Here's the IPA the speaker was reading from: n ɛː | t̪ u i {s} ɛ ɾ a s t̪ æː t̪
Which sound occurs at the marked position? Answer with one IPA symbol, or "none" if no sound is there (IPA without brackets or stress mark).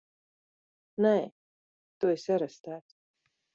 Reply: s